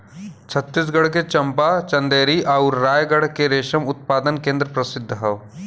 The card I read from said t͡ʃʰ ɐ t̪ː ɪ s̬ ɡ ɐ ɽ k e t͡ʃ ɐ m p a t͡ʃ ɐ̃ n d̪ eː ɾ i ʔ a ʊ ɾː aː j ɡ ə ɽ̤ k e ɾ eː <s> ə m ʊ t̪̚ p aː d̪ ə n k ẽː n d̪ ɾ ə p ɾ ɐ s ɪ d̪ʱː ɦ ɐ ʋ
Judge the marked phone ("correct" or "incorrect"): incorrect